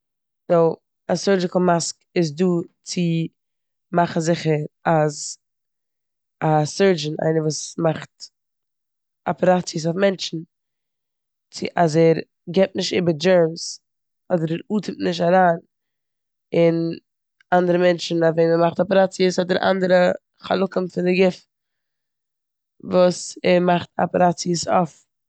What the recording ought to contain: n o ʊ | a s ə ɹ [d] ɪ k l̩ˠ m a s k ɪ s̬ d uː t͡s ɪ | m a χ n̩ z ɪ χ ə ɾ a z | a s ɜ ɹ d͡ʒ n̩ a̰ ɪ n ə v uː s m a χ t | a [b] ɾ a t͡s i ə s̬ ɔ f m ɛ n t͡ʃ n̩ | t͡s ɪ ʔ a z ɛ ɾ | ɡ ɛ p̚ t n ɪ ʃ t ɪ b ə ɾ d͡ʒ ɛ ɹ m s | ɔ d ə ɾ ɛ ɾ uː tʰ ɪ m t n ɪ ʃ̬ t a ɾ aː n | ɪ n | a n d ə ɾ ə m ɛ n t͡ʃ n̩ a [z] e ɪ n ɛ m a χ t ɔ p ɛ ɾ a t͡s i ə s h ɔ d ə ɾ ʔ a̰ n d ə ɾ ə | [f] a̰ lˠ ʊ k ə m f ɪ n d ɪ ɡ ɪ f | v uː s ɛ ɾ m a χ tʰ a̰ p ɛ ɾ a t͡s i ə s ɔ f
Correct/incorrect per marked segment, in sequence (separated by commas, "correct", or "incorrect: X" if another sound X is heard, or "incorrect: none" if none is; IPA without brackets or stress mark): incorrect: d͡ʒ, incorrect: p, incorrect: v, incorrect: χ